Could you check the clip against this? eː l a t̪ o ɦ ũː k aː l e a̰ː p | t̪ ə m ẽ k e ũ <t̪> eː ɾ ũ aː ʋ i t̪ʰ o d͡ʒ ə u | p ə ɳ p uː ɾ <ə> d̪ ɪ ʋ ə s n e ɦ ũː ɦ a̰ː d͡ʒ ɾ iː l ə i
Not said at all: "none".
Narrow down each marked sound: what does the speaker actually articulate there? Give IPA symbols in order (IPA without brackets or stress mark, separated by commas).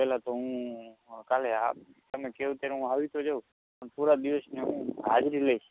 t̪, a